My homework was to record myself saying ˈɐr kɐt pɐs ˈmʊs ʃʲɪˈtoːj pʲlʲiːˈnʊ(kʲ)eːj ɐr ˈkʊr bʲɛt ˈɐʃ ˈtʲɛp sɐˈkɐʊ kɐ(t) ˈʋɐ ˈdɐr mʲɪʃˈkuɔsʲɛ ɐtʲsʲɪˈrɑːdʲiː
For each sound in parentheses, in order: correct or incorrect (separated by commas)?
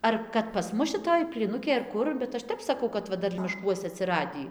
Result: correct, correct